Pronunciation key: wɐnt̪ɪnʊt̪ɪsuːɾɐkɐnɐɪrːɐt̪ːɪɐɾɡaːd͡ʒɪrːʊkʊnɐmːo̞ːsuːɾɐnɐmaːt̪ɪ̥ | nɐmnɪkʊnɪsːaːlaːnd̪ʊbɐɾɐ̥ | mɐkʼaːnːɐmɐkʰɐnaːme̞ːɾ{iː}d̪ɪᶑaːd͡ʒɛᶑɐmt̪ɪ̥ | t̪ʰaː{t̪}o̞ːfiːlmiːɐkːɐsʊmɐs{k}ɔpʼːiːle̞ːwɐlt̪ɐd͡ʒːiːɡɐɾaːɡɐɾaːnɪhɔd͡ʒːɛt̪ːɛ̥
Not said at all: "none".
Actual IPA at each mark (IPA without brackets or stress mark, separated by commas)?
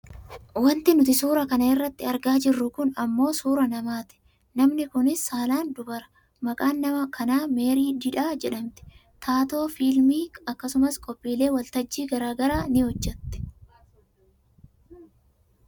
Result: iː, t̪, kʼ